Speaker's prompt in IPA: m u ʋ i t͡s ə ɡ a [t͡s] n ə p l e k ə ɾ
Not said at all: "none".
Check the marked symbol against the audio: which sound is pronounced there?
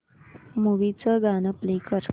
none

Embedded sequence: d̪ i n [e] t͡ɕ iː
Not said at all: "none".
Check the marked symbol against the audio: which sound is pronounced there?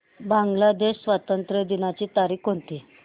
a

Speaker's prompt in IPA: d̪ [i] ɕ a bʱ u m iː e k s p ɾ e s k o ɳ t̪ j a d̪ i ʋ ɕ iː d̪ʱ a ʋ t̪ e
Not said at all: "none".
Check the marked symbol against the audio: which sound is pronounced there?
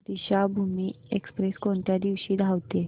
i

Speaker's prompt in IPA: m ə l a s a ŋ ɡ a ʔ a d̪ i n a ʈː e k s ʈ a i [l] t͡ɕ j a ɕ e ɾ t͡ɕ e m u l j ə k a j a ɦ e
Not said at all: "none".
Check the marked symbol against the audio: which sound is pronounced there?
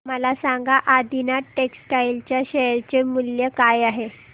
l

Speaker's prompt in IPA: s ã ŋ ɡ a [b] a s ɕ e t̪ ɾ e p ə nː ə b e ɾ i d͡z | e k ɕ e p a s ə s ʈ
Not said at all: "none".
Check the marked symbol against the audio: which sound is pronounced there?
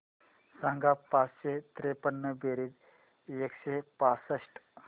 p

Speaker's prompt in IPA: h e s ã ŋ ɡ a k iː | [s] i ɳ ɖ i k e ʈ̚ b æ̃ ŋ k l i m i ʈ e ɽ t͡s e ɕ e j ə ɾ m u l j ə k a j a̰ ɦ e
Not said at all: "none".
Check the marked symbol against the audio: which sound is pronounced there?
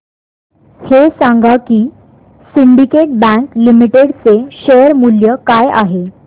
s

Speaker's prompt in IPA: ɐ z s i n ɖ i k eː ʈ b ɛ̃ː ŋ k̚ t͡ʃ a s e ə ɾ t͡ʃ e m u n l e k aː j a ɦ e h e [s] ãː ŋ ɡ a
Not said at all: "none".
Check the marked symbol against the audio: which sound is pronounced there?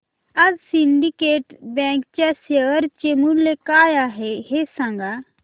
s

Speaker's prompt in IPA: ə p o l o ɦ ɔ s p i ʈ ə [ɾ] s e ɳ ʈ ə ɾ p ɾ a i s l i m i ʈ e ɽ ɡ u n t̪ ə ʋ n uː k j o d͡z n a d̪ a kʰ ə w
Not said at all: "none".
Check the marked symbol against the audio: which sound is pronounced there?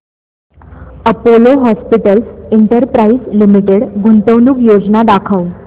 l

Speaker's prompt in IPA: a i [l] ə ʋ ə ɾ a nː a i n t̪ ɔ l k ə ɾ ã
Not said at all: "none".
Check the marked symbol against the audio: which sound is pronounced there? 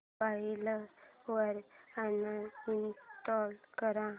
l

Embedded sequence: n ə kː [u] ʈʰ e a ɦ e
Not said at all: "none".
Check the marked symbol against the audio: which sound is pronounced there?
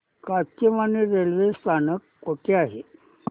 o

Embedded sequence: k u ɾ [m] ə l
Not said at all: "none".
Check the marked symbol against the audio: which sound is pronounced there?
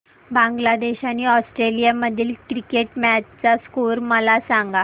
m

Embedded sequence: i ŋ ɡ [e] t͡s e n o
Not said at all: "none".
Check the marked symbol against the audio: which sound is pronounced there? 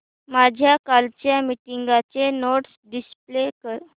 a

